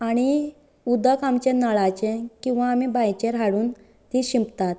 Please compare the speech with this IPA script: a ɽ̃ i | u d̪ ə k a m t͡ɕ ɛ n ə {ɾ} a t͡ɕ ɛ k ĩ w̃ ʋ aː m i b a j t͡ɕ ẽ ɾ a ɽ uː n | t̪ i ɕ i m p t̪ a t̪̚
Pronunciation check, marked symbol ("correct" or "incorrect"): incorrect